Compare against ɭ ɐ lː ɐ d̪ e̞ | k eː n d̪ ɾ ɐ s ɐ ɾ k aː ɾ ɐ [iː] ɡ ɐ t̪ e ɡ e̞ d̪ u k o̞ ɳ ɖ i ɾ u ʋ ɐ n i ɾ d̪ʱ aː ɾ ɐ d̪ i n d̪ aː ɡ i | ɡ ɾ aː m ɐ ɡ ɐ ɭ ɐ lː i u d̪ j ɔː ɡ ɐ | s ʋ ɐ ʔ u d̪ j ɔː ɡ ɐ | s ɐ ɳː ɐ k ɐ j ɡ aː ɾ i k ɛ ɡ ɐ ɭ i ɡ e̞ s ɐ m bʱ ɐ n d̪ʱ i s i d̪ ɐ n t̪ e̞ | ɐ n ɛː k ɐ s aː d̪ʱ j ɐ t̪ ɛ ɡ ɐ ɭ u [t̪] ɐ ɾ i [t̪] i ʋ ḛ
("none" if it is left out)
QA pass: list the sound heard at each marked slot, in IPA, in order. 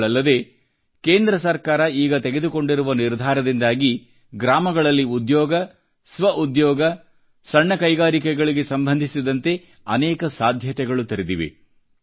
iː, t̪, d̪

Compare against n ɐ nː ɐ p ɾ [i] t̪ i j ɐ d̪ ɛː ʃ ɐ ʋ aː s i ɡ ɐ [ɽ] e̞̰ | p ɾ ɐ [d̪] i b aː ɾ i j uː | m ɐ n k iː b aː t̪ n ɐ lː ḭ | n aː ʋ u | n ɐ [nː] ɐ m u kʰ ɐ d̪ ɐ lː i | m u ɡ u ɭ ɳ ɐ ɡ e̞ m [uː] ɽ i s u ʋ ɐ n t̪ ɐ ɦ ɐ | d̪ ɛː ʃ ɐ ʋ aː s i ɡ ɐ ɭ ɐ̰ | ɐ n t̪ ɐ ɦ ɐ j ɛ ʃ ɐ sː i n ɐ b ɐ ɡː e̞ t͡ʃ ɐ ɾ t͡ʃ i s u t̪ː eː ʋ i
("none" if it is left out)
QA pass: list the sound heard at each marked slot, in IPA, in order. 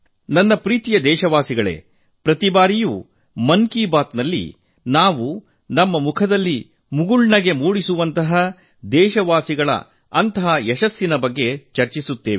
iː, ɭ, t̪, mː, uː

